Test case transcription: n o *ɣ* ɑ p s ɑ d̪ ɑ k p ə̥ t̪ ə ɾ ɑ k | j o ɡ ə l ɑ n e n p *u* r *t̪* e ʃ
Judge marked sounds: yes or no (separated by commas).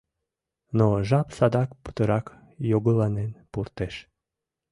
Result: no, yes, yes